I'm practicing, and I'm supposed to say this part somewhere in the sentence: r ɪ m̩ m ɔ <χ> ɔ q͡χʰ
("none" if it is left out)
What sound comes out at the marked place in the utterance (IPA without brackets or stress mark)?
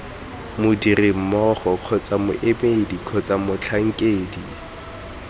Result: χ